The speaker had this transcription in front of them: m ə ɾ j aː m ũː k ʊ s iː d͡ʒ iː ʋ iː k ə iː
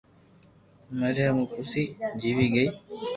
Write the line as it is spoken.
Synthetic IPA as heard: m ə ɾ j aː m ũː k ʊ s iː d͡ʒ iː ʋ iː ɡ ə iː